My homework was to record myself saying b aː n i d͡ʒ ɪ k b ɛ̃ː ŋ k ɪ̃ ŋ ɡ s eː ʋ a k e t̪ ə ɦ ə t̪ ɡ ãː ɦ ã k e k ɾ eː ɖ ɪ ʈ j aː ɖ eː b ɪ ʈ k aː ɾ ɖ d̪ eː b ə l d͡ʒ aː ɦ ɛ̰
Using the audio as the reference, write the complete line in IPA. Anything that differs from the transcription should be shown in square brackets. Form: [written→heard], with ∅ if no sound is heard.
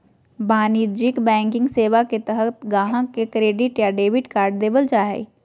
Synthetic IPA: b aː n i d͡ʒ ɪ k b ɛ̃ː ŋ k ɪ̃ ŋ ɡ s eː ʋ a k e t̪ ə ɦ ə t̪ ɡ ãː ɦ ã k e k ɾ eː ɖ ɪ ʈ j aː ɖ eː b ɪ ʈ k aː ɾ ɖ d̪ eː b ə l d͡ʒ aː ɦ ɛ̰